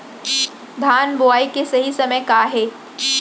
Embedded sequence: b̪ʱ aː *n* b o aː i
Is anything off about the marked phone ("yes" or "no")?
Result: no